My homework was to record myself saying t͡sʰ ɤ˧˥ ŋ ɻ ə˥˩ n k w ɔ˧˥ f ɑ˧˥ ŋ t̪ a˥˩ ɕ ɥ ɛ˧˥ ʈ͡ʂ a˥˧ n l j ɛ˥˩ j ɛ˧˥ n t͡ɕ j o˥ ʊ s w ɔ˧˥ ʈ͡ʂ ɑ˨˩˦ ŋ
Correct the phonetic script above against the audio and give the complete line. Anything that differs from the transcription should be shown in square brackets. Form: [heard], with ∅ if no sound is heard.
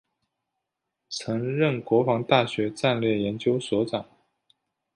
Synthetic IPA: t͡sʰ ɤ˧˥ ŋ ɻ ə˥˩ n k w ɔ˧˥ f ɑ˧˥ ŋ t̪ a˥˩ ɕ ɥ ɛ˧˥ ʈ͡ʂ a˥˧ n l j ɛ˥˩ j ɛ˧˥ n t͡ɕ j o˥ ʊ s w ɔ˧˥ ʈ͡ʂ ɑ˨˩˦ ŋ